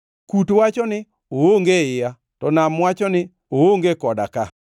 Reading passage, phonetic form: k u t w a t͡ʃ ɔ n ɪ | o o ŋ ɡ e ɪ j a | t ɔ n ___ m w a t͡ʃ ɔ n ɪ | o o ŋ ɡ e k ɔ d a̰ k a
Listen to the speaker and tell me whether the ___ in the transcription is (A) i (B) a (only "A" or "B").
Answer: B